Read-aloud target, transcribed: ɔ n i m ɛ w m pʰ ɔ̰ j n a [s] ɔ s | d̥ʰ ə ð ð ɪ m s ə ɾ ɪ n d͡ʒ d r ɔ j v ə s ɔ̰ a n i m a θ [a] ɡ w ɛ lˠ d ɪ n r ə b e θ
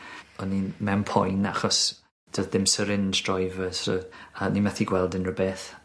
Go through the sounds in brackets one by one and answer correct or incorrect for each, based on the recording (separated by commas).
incorrect, incorrect